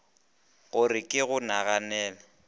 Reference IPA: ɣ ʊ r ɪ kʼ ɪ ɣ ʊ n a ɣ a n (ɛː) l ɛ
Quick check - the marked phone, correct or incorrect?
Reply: correct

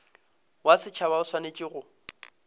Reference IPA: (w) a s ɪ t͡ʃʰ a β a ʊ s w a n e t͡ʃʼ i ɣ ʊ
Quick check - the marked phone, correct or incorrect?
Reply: correct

